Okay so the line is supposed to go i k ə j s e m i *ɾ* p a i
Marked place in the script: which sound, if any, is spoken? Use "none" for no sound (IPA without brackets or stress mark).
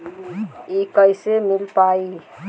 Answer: l